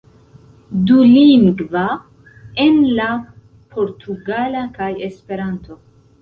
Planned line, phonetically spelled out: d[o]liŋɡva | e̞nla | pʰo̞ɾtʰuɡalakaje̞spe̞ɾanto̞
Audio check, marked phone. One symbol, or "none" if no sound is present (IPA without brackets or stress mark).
u